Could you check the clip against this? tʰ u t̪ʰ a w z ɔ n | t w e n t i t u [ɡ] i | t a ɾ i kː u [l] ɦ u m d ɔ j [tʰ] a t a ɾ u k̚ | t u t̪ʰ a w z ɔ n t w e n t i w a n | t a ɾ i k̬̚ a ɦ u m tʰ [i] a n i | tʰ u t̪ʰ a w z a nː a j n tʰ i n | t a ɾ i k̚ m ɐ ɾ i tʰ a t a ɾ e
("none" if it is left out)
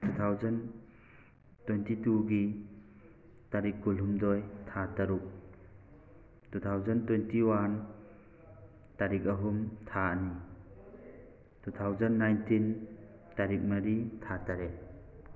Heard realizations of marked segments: ɡ, l, tʰ, a

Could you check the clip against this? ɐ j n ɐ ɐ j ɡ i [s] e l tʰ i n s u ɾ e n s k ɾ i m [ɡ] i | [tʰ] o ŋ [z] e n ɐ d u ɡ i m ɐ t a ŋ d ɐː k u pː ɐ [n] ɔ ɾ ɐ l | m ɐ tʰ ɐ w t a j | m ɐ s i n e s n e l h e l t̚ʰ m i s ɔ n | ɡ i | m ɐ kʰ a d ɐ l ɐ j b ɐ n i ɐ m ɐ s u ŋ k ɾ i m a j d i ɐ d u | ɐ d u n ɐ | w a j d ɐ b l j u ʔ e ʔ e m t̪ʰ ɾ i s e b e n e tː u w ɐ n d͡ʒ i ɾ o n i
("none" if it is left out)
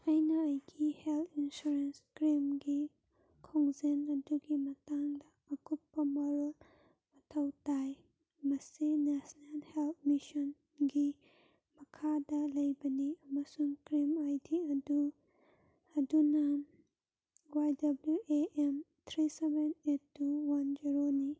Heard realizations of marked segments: h, ɡ, kʰ, z, m

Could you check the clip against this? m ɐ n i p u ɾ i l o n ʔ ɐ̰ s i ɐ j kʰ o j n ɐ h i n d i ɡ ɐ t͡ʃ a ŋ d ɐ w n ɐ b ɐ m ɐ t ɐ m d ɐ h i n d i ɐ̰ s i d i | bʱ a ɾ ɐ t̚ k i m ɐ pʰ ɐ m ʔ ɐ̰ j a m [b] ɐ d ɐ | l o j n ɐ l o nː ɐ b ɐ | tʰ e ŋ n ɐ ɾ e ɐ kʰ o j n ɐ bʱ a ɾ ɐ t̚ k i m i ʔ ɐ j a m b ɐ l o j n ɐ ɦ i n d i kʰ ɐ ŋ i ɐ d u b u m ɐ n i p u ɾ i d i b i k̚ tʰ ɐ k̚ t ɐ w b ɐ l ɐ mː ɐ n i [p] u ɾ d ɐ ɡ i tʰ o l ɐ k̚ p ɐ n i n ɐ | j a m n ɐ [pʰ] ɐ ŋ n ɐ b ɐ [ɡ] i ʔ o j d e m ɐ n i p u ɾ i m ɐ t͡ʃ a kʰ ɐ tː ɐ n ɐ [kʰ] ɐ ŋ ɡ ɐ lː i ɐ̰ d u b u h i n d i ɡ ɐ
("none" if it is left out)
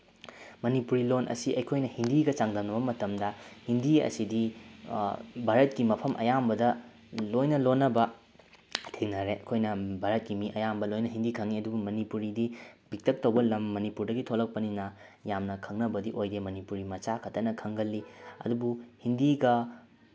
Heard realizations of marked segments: b, p, kʰ, d, kʰ

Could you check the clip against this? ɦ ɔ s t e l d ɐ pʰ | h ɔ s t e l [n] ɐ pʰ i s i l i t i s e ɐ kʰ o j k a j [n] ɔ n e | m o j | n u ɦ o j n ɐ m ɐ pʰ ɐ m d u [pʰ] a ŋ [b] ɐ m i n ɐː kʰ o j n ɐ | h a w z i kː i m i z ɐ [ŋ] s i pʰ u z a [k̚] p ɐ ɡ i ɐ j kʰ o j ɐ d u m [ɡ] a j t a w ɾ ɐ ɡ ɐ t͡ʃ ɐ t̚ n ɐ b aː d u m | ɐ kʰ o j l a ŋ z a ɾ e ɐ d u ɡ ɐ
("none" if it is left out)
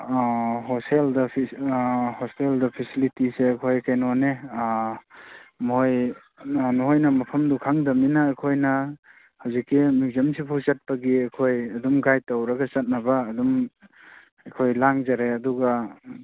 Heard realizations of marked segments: d, n, kʰ, d, m, t̚, ɡ

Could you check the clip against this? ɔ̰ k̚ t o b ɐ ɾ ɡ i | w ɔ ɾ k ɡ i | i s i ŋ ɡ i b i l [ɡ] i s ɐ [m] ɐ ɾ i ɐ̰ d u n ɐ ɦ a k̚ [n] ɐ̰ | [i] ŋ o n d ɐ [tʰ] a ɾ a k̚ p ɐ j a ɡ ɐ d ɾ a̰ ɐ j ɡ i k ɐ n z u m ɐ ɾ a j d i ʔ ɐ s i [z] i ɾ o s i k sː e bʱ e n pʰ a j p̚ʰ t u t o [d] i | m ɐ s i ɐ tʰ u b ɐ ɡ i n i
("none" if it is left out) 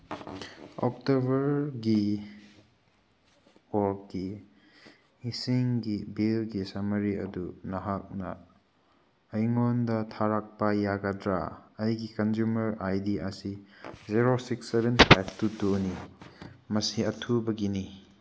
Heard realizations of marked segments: ɡ, m, n, j, tʰ, z, n

